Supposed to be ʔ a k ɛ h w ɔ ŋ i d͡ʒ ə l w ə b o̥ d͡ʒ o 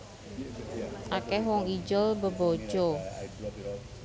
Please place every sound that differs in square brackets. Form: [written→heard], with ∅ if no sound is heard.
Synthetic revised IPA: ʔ a k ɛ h w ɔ ŋ i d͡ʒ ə l [w→b] ə b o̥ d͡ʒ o